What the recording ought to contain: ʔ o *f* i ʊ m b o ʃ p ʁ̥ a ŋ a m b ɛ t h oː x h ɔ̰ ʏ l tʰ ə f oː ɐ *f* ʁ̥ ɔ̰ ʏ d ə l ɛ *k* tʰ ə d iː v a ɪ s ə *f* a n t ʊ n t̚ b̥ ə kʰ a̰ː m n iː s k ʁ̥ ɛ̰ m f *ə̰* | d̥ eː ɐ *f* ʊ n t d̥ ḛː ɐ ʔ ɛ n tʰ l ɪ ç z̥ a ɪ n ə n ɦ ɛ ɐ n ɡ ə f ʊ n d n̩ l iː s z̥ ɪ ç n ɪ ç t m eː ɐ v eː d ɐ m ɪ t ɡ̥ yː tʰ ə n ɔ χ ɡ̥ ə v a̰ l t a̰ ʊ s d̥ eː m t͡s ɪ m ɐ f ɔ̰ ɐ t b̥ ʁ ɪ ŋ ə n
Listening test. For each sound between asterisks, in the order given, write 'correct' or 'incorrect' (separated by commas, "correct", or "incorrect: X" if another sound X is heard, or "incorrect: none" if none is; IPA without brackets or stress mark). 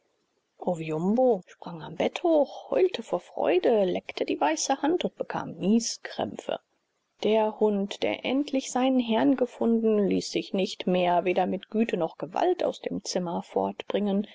incorrect: v, correct, correct, incorrect: h, correct, incorrect: h